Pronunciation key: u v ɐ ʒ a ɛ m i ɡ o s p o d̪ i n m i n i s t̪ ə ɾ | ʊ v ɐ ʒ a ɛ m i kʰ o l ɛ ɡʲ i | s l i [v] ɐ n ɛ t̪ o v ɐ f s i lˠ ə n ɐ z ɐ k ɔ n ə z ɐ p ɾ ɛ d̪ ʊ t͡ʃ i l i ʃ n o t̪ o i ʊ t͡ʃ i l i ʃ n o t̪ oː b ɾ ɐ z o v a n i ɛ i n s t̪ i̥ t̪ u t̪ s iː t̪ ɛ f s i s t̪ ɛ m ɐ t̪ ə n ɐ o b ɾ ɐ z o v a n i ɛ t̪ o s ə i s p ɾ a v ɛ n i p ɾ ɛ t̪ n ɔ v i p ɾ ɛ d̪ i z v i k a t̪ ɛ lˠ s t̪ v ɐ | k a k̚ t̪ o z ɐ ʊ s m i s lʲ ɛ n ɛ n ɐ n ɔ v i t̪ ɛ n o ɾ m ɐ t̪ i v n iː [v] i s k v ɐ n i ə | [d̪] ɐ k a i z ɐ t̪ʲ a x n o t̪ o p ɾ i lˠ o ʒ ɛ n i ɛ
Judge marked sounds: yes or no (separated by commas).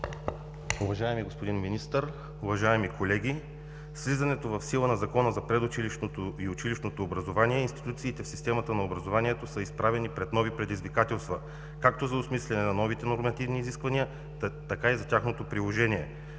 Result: no, no, no